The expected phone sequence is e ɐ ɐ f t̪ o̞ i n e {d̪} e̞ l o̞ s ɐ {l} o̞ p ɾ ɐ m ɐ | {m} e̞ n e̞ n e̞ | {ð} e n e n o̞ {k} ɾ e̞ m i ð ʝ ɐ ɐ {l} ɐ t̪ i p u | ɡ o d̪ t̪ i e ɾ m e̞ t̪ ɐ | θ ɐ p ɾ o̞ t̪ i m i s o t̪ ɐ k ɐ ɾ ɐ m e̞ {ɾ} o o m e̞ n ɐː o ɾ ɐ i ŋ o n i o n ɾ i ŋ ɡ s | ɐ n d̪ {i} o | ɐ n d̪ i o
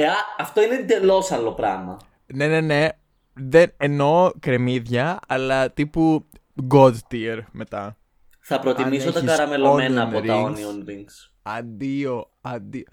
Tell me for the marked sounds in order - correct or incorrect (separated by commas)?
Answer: correct, correct, incorrect, correct, correct, correct, incorrect, correct